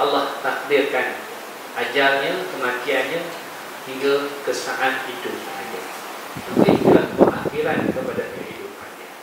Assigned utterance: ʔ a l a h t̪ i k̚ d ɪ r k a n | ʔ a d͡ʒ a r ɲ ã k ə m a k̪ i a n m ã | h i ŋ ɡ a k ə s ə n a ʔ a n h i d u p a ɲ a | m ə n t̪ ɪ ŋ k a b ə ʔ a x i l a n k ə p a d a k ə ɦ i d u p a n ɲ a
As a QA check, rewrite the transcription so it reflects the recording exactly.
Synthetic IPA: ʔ a l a h t̪ a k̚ d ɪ r k a n | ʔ a d͡ʒ a r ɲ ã k ə m a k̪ i a n ɲ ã | h i ŋ ɡ a k ə s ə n a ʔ a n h i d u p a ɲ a | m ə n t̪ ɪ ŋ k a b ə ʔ a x i ɾ a n k ə p a d a k ə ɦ i d u p a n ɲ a

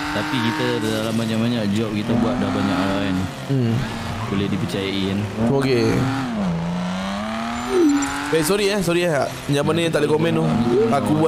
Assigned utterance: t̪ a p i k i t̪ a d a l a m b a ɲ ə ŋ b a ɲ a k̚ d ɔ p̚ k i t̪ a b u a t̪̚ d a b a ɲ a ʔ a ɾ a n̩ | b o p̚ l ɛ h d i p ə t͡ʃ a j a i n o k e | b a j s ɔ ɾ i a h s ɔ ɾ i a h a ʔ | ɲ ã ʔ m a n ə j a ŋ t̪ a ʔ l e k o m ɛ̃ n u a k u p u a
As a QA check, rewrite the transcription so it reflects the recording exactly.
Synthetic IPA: t̪ a p i k i t̪ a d a l a m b a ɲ a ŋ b a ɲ a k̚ d͡ʒ ɔ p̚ k i t̪ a b u a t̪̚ d a b a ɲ a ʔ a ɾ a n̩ | b o l ɛ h d i p ə t͡ʃ a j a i n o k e | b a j s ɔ ɾ i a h s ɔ ɾ i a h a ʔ | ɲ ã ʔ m a n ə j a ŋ t̪ a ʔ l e k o m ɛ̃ n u a k u b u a

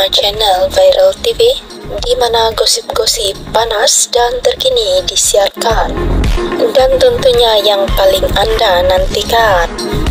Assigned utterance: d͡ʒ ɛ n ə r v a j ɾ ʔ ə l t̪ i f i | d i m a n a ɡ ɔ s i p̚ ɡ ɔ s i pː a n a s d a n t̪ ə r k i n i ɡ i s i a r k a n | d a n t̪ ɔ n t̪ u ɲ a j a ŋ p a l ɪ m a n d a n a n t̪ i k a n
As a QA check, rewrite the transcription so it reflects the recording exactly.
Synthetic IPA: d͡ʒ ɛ n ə l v a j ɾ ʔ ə l t̪ i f i | d i m a n a ɡ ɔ s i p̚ ɡ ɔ s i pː a n a s d a n t̪ ə r k i n i d i s i a r k a n | d a n t̪ ɔ n t̪ u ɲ a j a ŋ p a l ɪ ŋ a n d a n a n t̪ i k a n

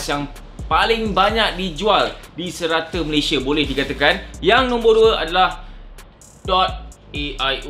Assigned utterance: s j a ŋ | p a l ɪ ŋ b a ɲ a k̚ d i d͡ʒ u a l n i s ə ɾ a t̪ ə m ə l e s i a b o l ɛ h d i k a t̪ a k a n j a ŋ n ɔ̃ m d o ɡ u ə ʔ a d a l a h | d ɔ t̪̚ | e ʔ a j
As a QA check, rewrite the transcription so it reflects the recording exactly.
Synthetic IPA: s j a ŋ | p a l ɪ ŋ b a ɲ a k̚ d i d͡ʒ u a l d i s ə ɾ a t̪ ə m ə l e s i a b o l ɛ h d i k a t̪ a k a n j a ŋ n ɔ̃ m b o d u ə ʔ a d a l a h | d ɔ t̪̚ | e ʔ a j

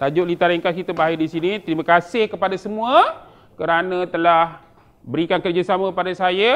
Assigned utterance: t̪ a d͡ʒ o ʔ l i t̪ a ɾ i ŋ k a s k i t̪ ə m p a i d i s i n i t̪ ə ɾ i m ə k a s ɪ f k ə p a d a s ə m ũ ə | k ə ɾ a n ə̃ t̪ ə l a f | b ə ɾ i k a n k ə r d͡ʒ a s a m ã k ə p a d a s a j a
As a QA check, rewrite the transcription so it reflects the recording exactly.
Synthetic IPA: t̪ a d͡ʒ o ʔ l i t̪ a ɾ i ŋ k a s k i t̪ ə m b a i d i s i n i t̪ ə ɾ i m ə k a s ɪ h k ə p a d a s ə m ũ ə | k ə ɾ a n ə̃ t̪ ə l a h | b ə ɾ i k a n k ə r d͡ʒ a s a m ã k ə p a d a s a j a

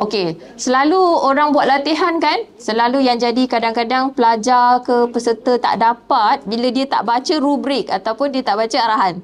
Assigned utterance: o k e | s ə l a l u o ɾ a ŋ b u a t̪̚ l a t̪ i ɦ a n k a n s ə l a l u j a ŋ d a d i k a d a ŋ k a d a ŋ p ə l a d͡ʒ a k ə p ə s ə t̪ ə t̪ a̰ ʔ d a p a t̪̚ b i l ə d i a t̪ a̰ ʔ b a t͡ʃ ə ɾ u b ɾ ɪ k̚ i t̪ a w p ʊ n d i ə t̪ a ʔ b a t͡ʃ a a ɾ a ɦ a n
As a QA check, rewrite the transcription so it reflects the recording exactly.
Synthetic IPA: o k e | s ə l a l u o ɾ a ŋ b u a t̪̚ l a t̪ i ɦ a n k a n s ə l a l u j a ŋ d͡ʒ a d i k a d a ŋ k a d a ŋ p ə l a d͡ʒ a k ə p ə s ə t̪ ə t̪ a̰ ʔ d a p a t̪̚ b i l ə d i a t̪ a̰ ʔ b a t͡ʃ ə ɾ u b ɾ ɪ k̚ a t̪ a w p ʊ n d i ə t̪ a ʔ b a t͡ʃ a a ɾ a ɦ a n

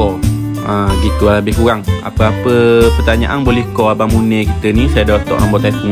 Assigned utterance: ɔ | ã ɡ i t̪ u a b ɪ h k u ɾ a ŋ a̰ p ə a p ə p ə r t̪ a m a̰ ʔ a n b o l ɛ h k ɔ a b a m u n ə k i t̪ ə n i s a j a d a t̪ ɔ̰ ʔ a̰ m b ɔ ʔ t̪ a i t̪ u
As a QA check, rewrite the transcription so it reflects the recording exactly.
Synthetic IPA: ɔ | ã ɡ i t̪ u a b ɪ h k u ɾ a ŋ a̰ p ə a p ə p ə r t̪ a ɲ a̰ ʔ a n b o l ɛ h k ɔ a b a m u n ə k i t̪ ə n i s a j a d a t̪ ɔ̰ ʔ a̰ m b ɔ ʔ t̪ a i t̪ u

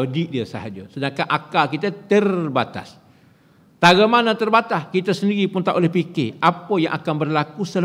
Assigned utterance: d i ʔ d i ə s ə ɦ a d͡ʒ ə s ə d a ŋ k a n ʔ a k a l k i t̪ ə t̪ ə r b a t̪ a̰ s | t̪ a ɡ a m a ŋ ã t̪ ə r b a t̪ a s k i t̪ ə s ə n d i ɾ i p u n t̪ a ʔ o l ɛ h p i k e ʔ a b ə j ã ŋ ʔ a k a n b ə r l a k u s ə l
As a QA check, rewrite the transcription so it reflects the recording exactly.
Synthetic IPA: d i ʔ d i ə s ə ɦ a d͡ʒ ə s ə d a ŋ k a n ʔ a k a l k i t̪ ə t̪ ə r b a t̪ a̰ s | t̪ a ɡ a m a n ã t̪ ə r b a t̪ a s k i t̪ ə s ə n d i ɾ i p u n t̪ a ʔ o l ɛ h p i k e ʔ a p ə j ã ŋ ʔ a k a n b ə r l a k u s ə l

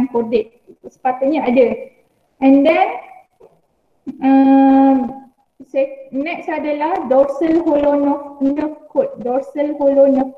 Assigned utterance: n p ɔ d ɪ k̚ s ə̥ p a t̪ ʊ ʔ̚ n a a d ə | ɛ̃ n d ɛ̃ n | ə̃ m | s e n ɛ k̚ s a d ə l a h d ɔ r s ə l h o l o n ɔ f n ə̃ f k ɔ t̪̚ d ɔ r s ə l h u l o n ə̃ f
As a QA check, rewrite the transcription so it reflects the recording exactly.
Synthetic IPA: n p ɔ d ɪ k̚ s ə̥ p a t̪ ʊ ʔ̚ ɲ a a d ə | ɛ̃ n d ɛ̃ n | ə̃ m | s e n ɛ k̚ s a d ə l a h d ɔ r s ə l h o l o n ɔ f n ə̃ f k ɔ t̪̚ d ɔ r s ə l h o l o n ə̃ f

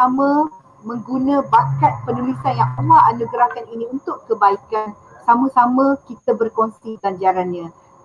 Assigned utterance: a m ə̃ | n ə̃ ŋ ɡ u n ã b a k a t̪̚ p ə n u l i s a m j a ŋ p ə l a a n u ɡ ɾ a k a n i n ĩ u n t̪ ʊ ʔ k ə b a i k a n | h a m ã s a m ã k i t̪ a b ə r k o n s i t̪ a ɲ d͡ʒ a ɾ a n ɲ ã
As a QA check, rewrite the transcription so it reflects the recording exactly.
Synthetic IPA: a m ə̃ | m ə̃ ŋ ɡ u n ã b a k a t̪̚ p ə n u l i s a n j a ŋ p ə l a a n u ɡ ɾ a k a n i n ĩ u n t̪ ʊ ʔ k ə b a i k a n | s a m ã s a m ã k i t̪ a b ə r k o n s i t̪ a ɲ d͡ʒ a ɾ a n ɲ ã

